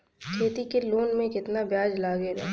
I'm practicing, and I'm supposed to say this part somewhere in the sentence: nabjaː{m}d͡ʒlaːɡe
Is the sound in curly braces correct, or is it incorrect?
incorrect